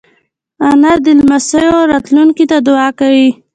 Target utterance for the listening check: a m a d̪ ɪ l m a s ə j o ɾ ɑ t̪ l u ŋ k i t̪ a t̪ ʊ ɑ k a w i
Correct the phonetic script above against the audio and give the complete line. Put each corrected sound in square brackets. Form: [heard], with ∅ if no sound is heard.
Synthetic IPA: a [n] a d̪ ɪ l m a s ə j o ɾ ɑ t̪ l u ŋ k i t̪ a [d̪] ʊ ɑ k a w i